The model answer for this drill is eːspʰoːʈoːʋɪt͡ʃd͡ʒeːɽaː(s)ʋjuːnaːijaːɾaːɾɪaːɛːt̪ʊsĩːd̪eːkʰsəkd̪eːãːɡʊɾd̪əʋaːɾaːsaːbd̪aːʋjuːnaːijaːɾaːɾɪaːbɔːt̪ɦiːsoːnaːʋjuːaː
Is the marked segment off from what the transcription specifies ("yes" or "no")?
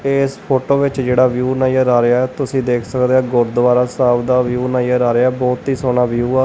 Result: yes